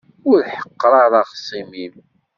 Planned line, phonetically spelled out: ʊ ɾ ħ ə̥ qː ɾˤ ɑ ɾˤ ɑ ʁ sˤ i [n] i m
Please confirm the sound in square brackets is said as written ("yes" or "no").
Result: no